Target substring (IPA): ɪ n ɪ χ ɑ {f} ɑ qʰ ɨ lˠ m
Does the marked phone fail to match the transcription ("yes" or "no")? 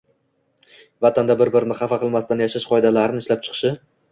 no